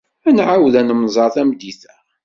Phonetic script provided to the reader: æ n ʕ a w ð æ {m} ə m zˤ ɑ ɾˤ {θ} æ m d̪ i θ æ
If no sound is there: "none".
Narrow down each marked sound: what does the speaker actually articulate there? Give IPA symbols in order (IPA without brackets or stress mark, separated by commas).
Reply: n, θ